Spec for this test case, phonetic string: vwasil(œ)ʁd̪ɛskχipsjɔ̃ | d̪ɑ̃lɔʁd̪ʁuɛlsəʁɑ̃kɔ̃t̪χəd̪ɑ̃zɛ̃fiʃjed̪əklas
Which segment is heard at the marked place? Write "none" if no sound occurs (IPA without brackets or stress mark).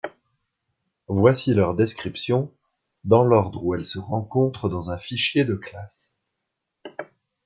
œ